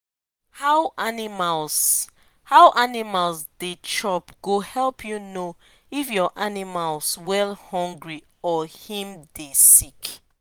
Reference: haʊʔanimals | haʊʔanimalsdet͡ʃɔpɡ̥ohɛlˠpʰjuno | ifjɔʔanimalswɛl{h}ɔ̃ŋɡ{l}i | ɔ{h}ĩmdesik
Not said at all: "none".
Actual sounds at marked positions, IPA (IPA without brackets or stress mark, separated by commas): h, ɹ, h